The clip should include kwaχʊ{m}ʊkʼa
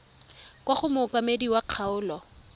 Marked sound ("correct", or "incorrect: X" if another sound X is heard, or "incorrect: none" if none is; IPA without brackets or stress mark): correct